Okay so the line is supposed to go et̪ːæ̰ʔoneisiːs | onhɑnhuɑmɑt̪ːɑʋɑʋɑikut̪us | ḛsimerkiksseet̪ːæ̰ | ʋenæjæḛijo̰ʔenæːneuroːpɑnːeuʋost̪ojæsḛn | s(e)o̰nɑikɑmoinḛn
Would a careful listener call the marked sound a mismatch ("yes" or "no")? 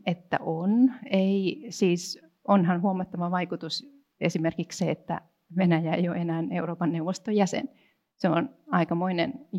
no